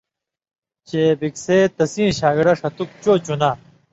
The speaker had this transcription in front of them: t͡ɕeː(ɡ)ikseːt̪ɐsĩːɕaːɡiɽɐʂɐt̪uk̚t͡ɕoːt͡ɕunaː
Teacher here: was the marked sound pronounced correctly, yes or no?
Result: no